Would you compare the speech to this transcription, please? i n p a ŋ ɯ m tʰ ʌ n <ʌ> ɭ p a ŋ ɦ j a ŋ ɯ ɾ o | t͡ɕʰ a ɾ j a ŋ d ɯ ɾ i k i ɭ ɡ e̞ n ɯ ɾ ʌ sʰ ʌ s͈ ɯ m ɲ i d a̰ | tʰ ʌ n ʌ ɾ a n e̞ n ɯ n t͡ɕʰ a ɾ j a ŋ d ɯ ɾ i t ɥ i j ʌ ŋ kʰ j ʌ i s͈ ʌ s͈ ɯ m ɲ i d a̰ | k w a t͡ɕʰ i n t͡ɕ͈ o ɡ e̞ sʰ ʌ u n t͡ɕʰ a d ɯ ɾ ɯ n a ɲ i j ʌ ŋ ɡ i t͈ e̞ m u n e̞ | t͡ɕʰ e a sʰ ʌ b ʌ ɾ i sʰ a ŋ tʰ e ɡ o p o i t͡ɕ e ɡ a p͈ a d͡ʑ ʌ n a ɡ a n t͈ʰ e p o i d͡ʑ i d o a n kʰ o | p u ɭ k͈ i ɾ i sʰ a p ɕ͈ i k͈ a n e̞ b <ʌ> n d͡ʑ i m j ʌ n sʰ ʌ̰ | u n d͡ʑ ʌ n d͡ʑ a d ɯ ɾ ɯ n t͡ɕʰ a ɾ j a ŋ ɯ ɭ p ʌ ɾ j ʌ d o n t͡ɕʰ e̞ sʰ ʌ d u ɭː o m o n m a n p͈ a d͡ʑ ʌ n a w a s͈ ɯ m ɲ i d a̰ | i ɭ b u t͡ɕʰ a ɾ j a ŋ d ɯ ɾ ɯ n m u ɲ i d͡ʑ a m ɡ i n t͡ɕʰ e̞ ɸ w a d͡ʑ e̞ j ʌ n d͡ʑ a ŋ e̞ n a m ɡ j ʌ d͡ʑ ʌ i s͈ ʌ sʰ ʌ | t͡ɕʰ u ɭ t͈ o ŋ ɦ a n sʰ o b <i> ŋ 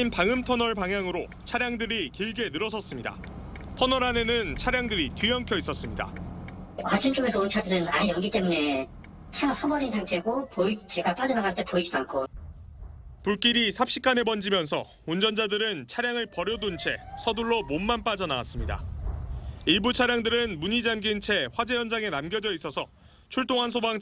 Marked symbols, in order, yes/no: yes, yes, no

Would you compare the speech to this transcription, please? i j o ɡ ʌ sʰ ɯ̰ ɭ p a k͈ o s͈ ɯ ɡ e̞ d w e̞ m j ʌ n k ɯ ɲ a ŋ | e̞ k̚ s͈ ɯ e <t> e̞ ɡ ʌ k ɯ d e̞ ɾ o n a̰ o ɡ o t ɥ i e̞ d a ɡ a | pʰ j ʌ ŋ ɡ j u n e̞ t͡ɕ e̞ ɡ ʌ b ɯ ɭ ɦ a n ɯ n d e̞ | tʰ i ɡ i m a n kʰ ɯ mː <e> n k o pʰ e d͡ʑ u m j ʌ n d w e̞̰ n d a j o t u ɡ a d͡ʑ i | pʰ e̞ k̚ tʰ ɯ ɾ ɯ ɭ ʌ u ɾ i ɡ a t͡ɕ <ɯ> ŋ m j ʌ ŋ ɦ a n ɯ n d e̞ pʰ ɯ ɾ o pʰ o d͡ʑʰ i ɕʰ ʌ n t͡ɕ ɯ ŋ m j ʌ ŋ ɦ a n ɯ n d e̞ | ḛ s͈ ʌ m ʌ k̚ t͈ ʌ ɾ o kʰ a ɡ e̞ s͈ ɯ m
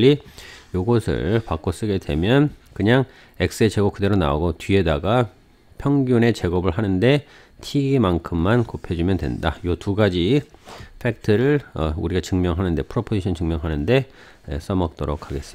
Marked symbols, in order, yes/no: no, no, yes

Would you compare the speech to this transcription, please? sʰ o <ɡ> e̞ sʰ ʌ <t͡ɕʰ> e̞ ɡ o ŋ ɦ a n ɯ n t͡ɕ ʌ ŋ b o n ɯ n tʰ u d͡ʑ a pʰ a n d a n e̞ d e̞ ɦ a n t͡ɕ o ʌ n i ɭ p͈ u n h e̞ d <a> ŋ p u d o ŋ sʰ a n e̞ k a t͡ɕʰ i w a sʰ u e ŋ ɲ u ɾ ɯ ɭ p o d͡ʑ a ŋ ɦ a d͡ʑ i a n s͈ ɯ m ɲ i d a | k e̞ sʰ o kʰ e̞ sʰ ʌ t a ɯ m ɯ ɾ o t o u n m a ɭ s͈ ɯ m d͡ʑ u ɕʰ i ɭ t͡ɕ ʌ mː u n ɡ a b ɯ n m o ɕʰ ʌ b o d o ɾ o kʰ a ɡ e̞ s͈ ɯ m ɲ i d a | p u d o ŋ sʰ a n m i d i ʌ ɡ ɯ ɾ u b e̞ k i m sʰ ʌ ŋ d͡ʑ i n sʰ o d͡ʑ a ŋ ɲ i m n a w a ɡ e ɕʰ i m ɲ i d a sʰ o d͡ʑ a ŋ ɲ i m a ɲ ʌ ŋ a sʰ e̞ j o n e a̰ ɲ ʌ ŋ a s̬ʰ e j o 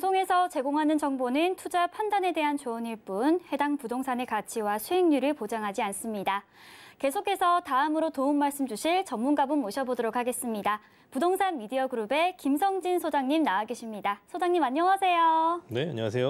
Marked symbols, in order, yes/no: no, no, yes

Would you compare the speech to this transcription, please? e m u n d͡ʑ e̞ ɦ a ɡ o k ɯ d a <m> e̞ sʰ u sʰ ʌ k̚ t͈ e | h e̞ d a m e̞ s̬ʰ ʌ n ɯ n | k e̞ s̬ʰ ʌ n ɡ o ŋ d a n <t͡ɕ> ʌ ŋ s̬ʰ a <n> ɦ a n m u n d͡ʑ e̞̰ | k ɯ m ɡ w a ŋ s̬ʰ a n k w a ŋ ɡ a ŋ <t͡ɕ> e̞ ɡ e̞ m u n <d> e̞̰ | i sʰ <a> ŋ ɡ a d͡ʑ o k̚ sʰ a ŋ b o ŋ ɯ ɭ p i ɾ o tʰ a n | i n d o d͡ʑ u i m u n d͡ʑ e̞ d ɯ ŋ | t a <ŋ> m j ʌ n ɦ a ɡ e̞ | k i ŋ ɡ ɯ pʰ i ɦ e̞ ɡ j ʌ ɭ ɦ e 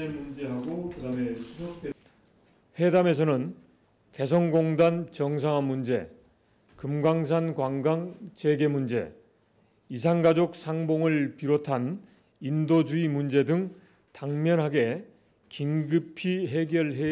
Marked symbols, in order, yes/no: yes, yes, no, yes, no, yes, yes

